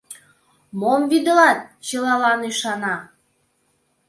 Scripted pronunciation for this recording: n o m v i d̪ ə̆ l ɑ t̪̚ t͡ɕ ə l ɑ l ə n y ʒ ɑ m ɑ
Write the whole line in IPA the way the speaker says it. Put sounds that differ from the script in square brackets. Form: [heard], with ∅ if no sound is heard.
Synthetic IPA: [m] o m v i d̪ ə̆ l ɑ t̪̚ t͡ɕ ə l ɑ l [ɑ] n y [ʃ] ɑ [n] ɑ

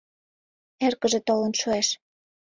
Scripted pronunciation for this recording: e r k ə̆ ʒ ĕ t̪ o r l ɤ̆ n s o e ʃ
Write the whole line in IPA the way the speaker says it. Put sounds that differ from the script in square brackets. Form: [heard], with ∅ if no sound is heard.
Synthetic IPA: e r k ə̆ ʒ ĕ t̪ o [∅] l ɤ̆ n [ʃ] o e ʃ

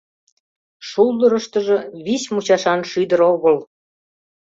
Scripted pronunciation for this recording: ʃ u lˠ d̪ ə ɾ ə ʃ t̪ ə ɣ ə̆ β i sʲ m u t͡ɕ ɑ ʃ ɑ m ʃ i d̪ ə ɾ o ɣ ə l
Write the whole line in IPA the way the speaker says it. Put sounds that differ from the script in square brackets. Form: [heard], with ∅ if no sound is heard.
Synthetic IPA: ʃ u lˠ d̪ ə ɾ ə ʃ t̪ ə [ʒ] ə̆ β i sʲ m u t͡ɕ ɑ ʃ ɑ [n] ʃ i d̪ ə ɾ o ɣ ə l

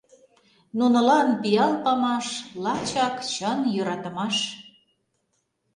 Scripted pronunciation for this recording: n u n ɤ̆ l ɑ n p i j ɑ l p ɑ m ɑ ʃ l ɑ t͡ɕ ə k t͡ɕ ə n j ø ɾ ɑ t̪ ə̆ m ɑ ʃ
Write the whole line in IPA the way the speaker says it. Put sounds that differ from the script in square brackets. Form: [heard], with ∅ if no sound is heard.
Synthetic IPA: n u n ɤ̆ l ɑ n p i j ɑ l p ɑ m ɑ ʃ l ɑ t͡ɕ [ɑ] k t͡ɕ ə n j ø ɾ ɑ t̪ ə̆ m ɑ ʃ

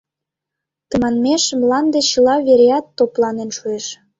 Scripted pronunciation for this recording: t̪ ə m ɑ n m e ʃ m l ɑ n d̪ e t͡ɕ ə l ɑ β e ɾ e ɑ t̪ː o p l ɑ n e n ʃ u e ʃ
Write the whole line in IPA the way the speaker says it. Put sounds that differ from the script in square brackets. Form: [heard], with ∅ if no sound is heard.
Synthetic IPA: t̪ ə m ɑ n m e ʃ m l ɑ n d̪ e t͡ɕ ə l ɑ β e ɾ e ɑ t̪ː o p l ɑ n e n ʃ u e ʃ

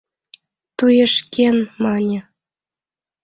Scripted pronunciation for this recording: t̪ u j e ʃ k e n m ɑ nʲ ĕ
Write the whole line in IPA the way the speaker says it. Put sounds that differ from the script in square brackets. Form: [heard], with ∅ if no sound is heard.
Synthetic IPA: t̪ u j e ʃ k e n m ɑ nʲ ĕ

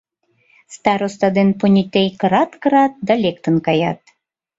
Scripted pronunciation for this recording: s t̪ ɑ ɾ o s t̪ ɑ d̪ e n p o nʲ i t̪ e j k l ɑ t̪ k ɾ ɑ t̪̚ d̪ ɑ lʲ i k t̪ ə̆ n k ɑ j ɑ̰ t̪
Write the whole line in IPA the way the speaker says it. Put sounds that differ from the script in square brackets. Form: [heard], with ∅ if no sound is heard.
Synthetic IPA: s t̪ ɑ ɾ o s t̪ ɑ d̪ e n p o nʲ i t̪ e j k [ɾ] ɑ t̪ k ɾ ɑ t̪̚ d̪ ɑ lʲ [e] k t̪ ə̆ n k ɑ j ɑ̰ t̪

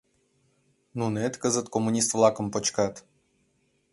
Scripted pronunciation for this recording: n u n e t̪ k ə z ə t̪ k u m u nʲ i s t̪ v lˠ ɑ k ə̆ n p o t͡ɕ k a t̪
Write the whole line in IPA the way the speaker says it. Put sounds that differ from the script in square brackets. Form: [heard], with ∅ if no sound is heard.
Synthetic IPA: n u n e t̪ k ə z ə t̪ k [o] m u nʲ i s t̪ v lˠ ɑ k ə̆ [m] p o t͡ɕ k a t̪

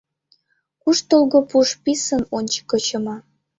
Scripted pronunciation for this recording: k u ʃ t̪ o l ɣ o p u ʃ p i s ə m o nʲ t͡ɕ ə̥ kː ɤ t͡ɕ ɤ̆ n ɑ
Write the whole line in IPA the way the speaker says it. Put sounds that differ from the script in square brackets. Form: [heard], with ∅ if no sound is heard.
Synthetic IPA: k u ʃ t̪ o l ɣ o p u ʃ p i s ə [n] o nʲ t͡ɕ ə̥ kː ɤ t͡ɕ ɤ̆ [m] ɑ

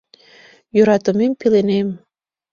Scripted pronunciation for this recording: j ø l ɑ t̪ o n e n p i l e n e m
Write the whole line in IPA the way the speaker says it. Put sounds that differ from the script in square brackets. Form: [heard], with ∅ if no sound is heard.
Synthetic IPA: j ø [ɾ] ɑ t̪ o [m] e [m] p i l e n e m

